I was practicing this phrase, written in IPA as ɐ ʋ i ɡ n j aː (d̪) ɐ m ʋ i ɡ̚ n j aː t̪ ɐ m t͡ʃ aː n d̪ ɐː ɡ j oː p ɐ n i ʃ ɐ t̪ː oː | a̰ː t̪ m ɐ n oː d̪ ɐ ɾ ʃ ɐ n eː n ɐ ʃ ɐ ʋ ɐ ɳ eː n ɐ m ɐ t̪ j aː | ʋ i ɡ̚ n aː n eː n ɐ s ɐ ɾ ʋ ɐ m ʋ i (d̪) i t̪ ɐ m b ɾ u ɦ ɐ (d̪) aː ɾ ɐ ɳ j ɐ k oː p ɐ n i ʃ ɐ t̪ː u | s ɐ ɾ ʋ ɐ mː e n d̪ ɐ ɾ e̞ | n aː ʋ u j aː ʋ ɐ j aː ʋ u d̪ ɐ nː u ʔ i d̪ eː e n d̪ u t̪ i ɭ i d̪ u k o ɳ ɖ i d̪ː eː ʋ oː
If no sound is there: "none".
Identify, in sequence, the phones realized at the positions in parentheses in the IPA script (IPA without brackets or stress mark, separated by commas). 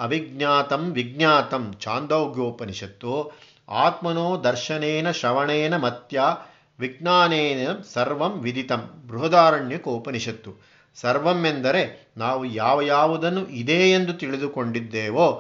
t̪, d̪, d̪